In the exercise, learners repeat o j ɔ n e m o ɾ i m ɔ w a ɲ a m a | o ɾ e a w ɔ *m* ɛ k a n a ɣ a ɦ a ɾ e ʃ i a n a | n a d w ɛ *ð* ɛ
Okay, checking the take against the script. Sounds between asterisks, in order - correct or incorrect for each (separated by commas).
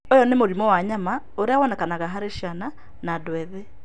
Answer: incorrect, correct